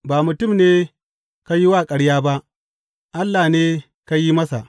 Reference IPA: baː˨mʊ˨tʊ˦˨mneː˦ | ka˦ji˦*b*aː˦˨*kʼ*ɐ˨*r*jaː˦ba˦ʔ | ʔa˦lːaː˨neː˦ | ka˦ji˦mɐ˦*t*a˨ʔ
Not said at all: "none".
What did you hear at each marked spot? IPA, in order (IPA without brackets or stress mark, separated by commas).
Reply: w, kʼ, ɽ, s